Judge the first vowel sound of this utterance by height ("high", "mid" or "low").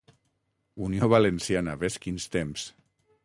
high